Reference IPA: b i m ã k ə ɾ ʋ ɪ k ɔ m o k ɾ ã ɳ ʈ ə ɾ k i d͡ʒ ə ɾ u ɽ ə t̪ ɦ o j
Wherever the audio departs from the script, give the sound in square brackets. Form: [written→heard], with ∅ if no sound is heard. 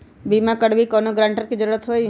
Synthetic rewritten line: b i m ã k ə [ɾ→ɽ] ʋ [ɪ→i] k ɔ [m→n] o [k→ɡ] ɾ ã ɳ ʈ ə ɾ k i d͡ʒ ə ɾ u [ɽ→ɾ] ə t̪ ɦ o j